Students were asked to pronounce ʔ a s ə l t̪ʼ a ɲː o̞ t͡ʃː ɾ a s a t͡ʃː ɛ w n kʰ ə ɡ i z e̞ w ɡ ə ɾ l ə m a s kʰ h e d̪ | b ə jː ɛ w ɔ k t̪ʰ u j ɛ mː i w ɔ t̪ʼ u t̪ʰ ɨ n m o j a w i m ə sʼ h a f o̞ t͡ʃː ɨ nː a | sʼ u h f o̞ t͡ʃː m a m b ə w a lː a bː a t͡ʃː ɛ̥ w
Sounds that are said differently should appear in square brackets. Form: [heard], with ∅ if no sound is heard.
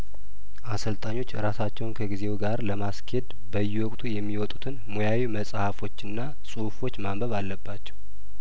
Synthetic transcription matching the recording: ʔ a s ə l t̪ʼ a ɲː o̞ t͡ʃː ɾ a s a t͡ʃː ɛ w n kʰ ə ɡ i z e̞ w ɡ [a] ɾ l ə m a s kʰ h e d̪ | b ə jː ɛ w ɔ [kʼ] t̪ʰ u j ɛ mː i w ɔ t̪ʼ u t̪ʰ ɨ n m o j a w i m ə sʼ h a f o̞ t͡ʃː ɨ nː a | sʼ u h f o̞ t͡ʃː m a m b ə [β] a lː [ə] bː a t͡ʃː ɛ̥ w